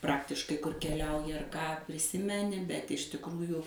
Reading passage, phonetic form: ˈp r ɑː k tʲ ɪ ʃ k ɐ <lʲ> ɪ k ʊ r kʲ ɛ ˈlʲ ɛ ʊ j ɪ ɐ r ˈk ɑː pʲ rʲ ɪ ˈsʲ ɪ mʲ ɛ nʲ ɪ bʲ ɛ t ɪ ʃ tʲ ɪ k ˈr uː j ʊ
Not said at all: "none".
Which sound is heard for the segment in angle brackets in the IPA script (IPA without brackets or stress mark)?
none